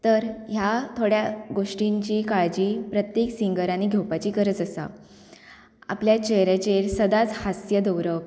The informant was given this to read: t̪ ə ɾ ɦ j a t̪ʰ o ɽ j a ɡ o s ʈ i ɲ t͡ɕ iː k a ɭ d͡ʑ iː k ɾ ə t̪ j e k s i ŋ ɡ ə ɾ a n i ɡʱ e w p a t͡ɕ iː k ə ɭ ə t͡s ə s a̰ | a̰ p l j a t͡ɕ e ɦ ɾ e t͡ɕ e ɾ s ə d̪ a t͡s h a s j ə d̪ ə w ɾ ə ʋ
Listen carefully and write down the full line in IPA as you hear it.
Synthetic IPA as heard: t̪ ə ɾ ɦ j a t̪ʰ o ɽ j a ɡ o ʂ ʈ i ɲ t͡ɕ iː k a ɭ d͡ʑ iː p ɾ ə t̪ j e k s i ŋ ɡ ə ɾ a n i ɡʱ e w p a t͡ɕ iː k ə ɾ ə t͡s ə s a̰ | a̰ p l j a t͡ɕ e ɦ ɾ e t͡ɕ e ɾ s ə d̪ a t͡s h a s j ə d̪ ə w ɾ ə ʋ